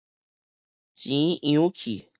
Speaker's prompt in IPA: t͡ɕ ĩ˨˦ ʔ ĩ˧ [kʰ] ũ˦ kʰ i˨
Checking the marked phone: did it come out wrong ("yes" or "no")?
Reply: yes